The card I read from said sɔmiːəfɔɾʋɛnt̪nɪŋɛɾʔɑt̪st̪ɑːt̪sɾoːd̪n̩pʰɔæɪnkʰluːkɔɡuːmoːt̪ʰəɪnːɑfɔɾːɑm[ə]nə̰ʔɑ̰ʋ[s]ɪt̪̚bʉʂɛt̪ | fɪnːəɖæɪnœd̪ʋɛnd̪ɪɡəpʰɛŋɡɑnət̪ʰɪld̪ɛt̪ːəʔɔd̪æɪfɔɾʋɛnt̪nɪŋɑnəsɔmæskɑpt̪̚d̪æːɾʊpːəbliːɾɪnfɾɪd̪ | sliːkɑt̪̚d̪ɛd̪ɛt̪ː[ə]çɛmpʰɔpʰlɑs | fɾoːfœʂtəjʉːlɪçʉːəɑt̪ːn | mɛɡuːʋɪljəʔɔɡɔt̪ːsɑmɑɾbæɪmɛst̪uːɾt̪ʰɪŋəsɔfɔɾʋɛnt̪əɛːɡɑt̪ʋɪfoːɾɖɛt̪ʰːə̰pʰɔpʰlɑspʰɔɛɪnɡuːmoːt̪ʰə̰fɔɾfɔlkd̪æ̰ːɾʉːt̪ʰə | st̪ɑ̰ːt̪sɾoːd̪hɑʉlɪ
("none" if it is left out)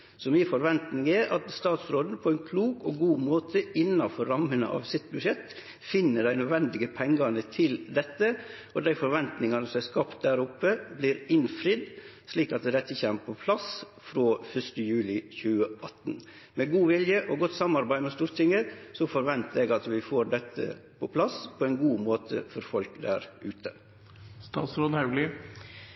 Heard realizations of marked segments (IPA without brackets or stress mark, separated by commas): ə, s, ə